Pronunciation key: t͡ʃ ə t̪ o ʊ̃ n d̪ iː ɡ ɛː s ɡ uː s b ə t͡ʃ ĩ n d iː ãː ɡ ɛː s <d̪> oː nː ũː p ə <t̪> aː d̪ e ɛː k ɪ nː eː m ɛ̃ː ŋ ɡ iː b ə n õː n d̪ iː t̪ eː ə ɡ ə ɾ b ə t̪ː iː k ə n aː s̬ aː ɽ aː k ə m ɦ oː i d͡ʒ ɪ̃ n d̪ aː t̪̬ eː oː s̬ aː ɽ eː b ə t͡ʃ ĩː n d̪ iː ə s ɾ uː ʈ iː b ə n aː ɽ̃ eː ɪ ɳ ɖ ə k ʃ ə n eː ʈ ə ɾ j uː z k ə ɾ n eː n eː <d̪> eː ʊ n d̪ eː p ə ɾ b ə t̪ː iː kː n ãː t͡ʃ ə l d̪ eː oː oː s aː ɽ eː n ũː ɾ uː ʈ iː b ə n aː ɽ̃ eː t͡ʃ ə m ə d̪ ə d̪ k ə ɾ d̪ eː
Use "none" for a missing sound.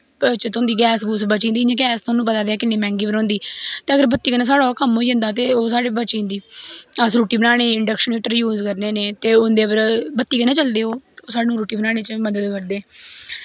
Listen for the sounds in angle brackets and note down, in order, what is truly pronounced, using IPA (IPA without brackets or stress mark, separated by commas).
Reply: t̪, t̪, t̪